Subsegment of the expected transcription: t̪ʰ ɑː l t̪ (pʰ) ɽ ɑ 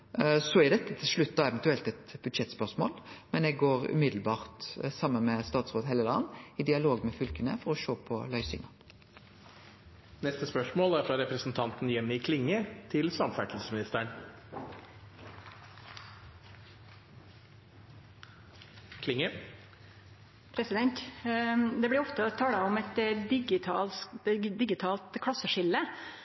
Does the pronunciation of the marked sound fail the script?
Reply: yes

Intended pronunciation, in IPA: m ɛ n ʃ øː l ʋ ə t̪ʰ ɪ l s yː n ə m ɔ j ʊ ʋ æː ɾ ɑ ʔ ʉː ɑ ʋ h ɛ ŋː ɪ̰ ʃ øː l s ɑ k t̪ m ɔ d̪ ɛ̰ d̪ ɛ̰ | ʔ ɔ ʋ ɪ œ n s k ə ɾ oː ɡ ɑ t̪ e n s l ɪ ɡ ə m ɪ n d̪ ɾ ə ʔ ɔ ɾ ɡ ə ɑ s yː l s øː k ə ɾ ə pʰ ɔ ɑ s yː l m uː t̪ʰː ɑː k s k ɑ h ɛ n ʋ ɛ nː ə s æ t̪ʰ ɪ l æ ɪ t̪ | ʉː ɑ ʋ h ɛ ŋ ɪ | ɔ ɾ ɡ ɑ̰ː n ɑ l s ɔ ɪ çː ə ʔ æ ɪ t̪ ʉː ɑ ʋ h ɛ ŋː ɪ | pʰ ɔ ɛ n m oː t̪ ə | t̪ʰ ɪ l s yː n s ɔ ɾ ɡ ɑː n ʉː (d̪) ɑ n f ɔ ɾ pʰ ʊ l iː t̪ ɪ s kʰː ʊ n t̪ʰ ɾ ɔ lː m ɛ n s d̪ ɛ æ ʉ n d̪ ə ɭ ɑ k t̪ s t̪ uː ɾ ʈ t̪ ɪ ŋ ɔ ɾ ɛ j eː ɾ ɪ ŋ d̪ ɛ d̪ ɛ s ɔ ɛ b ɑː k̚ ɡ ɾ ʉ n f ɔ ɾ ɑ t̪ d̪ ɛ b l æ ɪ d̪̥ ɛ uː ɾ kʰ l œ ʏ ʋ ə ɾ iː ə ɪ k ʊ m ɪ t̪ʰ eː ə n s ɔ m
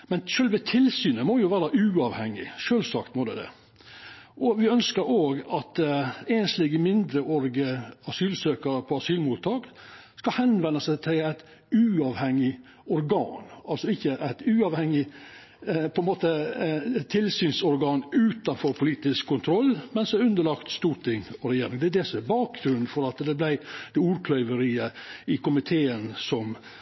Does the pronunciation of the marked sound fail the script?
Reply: yes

